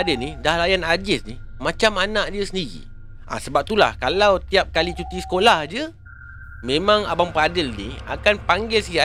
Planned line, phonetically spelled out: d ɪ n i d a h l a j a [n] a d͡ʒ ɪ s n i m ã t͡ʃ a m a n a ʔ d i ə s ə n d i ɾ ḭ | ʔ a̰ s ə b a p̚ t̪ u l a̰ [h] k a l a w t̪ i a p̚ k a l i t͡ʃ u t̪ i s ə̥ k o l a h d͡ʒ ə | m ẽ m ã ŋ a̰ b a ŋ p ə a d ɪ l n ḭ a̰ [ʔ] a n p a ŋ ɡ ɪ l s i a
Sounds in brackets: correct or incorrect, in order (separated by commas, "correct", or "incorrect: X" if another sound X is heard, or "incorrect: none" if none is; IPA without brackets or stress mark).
correct, correct, incorrect: k